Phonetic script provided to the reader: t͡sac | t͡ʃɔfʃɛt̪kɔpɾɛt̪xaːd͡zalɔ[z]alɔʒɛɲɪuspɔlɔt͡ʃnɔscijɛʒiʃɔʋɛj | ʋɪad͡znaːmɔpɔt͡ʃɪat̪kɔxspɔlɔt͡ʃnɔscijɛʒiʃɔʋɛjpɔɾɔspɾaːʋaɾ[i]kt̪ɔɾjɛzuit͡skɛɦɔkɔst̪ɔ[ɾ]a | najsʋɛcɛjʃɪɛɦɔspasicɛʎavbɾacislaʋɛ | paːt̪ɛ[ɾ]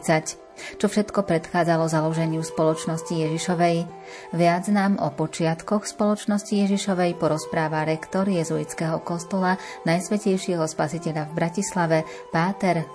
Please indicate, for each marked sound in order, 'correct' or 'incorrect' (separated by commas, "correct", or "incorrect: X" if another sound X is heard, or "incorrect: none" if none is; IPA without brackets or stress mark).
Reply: correct, incorrect: ɛ, incorrect: l, correct